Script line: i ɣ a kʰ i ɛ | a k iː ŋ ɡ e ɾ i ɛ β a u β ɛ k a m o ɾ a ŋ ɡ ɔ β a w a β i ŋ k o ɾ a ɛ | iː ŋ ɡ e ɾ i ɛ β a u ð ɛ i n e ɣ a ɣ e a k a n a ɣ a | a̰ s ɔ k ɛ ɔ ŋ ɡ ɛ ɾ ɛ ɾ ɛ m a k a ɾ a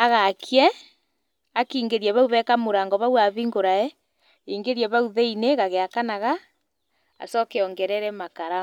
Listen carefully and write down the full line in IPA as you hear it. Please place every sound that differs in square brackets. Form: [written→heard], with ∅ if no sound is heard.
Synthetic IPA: [i→a] ɣ a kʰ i ɛ | a k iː ŋ ɡ e ɾ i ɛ β a u β ɛ k a m o ɾ a ŋ ɡ ɔ β a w a β i ŋ [k→ɡ] o ɾ a ɛ | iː ŋ ɡ e ɾ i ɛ β a u ð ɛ i n e ɣ a ɣ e a k a n a ɣ a | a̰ s ɔ k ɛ ɔ ŋ ɡ ɛ ɾ ɛ ɾ ɛ m a k a ɾ a